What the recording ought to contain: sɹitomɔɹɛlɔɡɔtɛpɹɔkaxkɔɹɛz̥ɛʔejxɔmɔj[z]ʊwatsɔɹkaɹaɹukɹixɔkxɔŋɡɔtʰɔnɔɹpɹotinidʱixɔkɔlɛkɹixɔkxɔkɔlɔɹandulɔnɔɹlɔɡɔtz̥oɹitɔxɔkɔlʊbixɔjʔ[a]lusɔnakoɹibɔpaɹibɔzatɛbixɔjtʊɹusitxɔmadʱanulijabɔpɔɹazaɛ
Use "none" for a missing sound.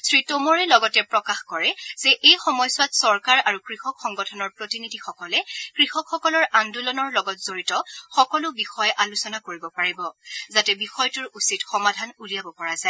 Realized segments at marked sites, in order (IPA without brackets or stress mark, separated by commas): s, a